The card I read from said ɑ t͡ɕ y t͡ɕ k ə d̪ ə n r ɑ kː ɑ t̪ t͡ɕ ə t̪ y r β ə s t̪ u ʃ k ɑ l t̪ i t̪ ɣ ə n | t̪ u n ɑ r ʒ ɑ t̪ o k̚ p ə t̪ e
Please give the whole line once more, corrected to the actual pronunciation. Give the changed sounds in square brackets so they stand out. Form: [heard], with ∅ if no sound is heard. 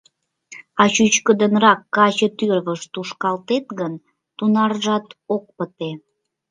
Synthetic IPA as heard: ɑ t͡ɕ y t͡ɕ k ə d̪ ə n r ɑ kː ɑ [∅] t͡ɕ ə t̪ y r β ə [ʃ] t̪ u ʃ k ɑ l t̪ [e] t̪ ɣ ə n | t̪ u n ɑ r ʒ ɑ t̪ o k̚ p ə t̪ e